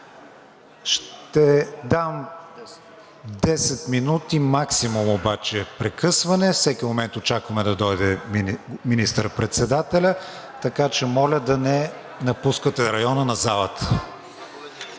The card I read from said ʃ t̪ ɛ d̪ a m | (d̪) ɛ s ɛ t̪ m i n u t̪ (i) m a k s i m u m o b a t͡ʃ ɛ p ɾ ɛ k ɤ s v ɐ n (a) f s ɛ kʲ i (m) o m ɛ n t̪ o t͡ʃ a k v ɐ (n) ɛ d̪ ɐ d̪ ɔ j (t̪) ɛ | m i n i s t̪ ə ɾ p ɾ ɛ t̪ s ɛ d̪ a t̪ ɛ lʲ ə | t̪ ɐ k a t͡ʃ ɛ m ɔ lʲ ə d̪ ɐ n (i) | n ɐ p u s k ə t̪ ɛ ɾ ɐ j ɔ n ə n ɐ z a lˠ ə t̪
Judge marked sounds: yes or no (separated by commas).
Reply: yes, yes, no, yes, no, no, no